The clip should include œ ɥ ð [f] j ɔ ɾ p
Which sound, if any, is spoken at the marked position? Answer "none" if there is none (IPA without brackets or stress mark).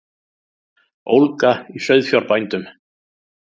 f